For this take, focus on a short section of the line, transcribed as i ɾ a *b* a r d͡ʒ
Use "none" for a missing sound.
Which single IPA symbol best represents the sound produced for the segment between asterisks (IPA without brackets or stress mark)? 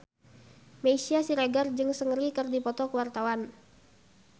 ɡ